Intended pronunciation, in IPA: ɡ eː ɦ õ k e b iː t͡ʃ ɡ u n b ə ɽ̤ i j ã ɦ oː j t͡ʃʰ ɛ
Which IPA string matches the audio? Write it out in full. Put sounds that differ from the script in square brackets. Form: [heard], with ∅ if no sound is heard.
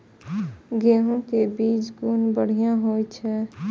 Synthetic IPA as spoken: ɡ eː ɦ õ k e b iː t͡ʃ ɡ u n b ə ɽ̤ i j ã ɦ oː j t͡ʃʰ ɛ